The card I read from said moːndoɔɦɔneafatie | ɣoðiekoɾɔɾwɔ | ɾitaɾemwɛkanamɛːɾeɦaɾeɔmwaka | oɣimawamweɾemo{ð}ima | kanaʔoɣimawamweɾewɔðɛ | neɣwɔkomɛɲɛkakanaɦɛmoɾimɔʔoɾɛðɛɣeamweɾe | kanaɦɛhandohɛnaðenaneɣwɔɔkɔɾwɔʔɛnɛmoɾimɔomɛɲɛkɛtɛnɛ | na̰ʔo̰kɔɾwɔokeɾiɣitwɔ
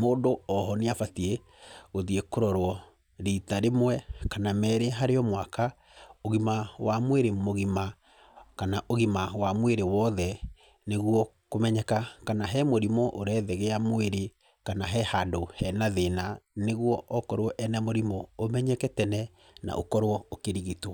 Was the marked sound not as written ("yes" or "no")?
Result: yes